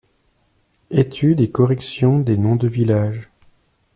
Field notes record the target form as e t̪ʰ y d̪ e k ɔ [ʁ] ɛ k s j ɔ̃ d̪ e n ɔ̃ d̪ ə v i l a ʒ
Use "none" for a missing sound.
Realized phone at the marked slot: ʁ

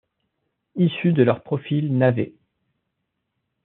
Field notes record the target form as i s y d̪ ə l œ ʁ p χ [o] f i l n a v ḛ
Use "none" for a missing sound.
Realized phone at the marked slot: ɔ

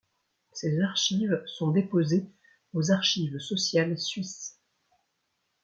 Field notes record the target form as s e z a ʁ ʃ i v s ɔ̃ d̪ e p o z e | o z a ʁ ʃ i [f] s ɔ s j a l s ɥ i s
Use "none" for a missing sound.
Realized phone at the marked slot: v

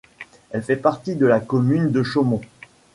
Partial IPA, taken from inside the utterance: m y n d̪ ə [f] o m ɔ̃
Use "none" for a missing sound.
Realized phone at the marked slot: ʃ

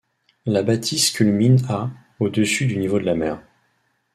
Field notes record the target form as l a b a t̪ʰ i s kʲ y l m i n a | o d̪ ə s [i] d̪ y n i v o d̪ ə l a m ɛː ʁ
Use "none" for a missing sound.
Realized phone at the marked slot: y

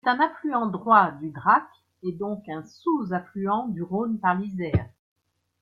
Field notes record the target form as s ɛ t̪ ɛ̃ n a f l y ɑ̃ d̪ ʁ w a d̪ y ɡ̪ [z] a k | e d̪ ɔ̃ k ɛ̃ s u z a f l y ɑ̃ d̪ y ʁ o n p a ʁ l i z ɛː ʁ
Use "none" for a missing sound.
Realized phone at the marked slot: ʁ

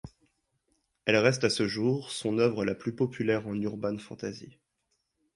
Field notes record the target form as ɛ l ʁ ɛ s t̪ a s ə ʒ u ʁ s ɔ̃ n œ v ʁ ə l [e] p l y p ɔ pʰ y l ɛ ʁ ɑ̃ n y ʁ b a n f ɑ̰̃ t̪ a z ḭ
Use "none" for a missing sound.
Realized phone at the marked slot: a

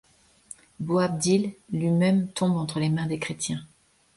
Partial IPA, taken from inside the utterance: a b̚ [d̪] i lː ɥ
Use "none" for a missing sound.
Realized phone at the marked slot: d̪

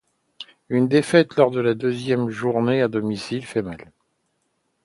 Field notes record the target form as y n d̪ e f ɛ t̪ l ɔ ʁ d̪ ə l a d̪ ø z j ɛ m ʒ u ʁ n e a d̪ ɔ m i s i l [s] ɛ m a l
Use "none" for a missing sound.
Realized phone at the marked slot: f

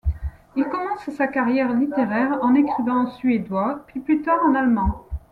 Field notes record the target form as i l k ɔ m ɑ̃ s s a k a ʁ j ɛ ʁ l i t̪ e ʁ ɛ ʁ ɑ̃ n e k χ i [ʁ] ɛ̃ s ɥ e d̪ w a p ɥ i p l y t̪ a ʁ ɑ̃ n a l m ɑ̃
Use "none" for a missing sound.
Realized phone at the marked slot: v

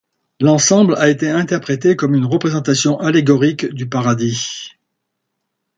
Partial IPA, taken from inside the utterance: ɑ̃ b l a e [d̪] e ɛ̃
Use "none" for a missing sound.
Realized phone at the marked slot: t̪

